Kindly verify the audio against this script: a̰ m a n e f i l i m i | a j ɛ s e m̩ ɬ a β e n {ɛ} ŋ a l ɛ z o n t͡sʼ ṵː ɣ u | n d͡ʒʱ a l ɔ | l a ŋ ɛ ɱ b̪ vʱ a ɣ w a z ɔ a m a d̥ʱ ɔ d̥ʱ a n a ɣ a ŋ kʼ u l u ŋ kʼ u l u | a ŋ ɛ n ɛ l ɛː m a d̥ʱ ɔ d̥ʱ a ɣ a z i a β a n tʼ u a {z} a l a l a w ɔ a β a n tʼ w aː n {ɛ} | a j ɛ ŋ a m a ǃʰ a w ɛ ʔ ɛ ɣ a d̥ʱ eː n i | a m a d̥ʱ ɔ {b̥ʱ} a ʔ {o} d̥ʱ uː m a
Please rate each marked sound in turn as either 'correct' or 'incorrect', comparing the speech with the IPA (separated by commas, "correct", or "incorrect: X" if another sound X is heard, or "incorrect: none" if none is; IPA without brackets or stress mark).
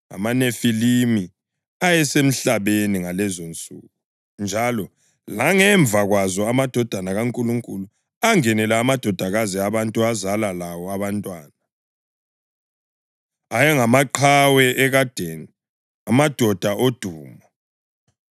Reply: incorrect: i, correct, incorrect: a, incorrect: d̥ʱ, correct